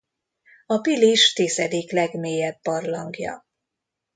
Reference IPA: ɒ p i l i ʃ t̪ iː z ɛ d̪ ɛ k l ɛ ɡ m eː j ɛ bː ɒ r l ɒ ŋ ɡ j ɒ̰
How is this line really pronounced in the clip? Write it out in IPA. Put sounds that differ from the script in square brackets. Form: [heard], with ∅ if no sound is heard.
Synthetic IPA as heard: ɒ p i l i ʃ t̪ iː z ɛ d̪ [i] k l ɛ ɡ m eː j ɛ bː ɒ r l ɒ ŋ ɡ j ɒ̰

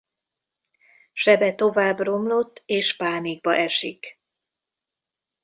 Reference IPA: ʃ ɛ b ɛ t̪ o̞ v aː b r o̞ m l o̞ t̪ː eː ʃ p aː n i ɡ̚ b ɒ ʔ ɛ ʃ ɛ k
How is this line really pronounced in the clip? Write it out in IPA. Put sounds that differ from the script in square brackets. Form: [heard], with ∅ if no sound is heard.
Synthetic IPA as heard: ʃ ɛ b ɛ t̪ o̞ v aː b r o̞ m l o̞ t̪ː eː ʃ p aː n i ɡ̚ b ɒ ʔ ɛ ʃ [i] k

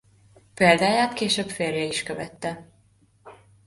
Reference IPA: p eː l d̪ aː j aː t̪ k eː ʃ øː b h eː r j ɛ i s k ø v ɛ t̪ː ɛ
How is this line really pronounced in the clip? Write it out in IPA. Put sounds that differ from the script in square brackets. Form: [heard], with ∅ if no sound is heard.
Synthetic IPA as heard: p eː l d̪ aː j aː t̪ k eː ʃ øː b [f] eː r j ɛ i [ʃ] k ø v ɛ t̪ː ɛ

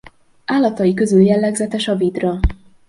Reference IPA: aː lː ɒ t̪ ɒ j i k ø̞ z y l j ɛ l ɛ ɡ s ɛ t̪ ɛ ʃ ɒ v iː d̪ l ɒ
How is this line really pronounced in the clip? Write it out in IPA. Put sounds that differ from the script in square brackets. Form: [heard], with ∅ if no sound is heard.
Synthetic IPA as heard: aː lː ɒ t̪ ɒ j i k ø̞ z y l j ɛ [lː] ɛ ɡ [z] ɛ t̪ ɛ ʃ ɒ v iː d̪ [r] ɒ

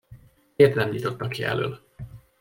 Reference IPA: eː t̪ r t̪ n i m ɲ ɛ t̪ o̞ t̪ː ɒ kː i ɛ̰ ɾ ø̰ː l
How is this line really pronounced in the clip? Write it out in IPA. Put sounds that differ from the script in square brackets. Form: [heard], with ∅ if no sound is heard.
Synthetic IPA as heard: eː [∅] r t̪ n [ɛ] m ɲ [i] t̪ o̞ t̪ː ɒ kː i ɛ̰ [l] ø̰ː l

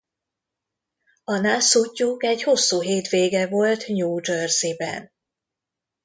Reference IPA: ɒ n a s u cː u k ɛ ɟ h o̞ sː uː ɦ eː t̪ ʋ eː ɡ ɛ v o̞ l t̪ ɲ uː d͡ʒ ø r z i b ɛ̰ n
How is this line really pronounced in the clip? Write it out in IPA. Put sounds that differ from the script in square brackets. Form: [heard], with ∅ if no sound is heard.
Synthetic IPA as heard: ɒ n a s u cː u k ɛ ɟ h o̞ sː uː ɦ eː t̪ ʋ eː ɡ ɛ v o̞ l t̪ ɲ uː d͡ʒ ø r z i b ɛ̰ n

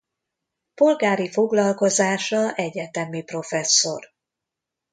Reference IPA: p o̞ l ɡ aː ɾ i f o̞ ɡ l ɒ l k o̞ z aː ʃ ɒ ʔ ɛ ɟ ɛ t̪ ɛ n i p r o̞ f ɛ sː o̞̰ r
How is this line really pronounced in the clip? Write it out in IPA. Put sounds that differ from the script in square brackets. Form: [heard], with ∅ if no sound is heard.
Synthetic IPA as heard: p o̞ l ɡ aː ɾ i f o̞ ɡ l ɒ l k o̞ z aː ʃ ɒ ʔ ɛ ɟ ɛ t̪ ɛ [m] i p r o̞ f ɛ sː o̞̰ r

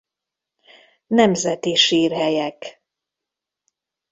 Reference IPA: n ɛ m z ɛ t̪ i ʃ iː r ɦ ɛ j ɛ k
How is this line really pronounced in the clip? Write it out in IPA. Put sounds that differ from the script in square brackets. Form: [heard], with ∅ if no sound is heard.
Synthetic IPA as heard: n ɛ m z ɛ t̪ i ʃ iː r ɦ ɛ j ɛ k

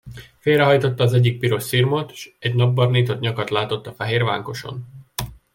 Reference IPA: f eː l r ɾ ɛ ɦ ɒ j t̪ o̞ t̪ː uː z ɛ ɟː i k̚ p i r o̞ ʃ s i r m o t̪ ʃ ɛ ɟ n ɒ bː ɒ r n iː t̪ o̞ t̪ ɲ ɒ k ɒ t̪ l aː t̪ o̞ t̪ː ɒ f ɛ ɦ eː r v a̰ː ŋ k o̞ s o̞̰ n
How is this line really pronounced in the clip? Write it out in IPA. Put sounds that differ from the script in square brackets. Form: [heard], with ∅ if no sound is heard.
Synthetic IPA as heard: f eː l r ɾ ɛ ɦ ɒ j t̪ o̞ t̪ː [ɒː] z ɛ ɟː i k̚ p i [ɾ] o̞ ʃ s i r m o t̪ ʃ ɛ ɟ n ɒ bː ɒ r n iː t̪ o̞ t̪ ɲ ɒ k ɒ t̪ l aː t̪ o̞ t̪ː ɒ f ɛ ɦ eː r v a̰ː ŋ k o̞ [ʃ] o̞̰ n

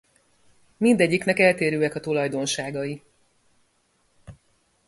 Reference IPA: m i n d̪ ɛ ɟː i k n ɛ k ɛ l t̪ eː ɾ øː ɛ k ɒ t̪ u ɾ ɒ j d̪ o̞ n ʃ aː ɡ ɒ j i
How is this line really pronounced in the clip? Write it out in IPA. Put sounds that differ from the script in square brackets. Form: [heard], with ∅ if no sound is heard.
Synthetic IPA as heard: m i n d̪ ɛ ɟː i k n ɛ k ɛ l t̪ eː ɾ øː ɛ k ɒ t̪ u [l] ɒ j d̪ o̞ n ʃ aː ɡ ɒ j i

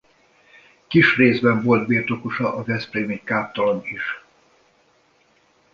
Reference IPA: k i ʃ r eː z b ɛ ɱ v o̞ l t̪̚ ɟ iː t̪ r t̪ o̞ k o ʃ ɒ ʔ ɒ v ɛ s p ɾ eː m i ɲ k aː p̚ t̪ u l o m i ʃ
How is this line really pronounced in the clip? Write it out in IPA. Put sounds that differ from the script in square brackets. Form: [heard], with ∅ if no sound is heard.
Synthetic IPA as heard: k i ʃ r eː z b ɛ ɱ v o̞ l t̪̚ [b] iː [∅] r t̪ o̞ k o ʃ ɒ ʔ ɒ v ɛ s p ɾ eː m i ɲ k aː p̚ t̪ [ɒ] l o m i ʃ

